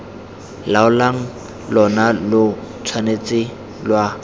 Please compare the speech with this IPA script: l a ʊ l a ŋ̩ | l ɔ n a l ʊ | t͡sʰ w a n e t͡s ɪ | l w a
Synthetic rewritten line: l a ʊ l a ŋ̩ | l ɔ n a l ʊ | t͡sʰ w a n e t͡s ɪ | l w a